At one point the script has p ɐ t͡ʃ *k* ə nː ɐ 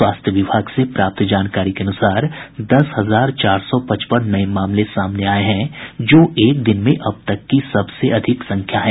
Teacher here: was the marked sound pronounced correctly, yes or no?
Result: no